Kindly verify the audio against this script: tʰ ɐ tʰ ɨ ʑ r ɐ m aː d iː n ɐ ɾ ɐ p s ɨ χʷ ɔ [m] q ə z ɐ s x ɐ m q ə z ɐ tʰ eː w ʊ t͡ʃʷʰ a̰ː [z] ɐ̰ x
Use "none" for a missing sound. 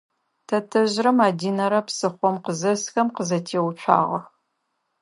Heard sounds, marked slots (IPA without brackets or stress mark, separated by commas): m, ʁ